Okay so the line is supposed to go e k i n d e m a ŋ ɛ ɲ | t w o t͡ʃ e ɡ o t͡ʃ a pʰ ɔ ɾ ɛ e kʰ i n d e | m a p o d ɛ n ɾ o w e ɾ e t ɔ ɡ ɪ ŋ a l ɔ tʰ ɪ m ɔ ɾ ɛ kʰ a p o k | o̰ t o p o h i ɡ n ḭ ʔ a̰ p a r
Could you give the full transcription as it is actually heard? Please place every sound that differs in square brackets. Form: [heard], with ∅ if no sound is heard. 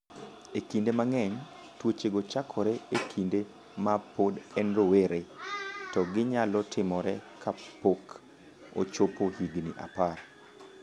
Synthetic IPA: e k i n d e m a ŋ ɛ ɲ | t w o t͡ʃ e ɡ o t͡ʃ a [kʰ] ɔ ɾ ɛ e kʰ i n d e | m a p o d ɛ n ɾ o w e ɾ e t ɔ ɡ ɪ [ɲ] a l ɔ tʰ ɪ m ɔ ɾ ɛ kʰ a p o k | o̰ [t͡ʃ] o p o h i ɡ n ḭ ʔ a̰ p a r